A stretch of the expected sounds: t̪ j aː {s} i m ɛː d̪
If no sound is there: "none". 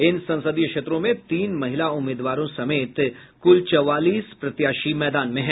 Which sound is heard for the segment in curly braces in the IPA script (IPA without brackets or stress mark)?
ʃ